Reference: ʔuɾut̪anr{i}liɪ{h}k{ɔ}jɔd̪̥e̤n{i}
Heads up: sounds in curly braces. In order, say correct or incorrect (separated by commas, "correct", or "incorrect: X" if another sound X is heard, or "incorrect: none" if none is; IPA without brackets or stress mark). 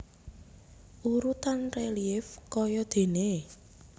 incorrect: e, incorrect: f, correct, incorrect: e